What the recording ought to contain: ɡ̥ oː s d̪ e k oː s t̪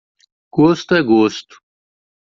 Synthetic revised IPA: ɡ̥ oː s t̪ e ɡ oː s t̪